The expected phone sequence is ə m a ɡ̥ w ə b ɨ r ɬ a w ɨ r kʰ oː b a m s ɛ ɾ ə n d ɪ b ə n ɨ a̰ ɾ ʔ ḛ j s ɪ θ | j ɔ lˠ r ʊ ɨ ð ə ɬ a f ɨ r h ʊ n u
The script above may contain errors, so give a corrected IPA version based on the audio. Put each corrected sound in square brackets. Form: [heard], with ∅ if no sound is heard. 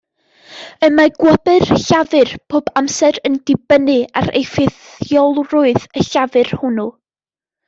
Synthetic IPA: ə m a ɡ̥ w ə b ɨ r ɬ a [v] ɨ r [pʰ] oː b a m s ɛ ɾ ə n d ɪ b ə n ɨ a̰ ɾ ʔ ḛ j [f] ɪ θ | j ɔ lˠ r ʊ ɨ ð ə ɬ a [v] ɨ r h ʊ n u